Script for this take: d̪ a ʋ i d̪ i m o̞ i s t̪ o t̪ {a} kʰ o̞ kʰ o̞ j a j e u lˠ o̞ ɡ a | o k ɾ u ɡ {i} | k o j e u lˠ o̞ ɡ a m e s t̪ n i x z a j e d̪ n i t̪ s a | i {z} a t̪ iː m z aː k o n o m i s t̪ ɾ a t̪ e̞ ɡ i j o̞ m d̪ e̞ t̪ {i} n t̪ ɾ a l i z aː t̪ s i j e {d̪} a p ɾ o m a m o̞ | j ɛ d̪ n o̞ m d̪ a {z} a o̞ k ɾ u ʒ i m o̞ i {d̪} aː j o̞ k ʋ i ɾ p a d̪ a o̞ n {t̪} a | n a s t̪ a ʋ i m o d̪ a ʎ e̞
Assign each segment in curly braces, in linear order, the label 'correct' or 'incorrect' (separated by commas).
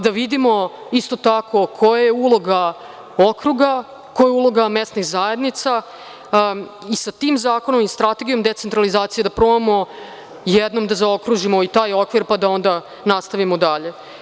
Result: correct, incorrect, incorrect, incorrect, correct, correct, incorrect, incorrect